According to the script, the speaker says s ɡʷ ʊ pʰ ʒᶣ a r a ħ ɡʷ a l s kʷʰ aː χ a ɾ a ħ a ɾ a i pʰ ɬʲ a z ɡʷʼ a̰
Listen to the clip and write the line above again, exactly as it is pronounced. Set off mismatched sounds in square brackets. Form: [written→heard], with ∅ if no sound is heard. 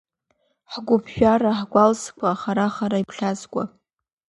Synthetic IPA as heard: [s→ħ] ɡʷ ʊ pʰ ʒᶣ a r a ħ ɡʷ a l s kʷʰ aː χ a ɾ a [ħ→χ] a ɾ a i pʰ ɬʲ a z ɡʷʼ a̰